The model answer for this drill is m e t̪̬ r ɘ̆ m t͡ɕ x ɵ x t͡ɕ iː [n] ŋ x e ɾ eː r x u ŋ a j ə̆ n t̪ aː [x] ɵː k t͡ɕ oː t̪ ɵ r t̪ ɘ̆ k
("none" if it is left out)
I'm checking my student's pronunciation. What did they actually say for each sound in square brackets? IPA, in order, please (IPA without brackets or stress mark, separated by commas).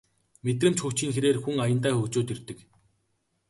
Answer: none, x